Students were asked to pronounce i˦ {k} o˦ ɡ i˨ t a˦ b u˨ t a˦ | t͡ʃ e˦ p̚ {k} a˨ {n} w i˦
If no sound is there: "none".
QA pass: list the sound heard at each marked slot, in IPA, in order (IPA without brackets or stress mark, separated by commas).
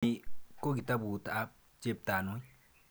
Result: k, t, n